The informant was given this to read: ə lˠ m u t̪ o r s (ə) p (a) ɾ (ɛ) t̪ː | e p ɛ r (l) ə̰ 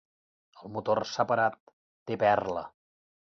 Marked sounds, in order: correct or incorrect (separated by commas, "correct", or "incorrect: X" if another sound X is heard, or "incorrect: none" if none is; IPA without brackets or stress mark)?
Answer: correct, incorrect: ə, incorrect: a, correct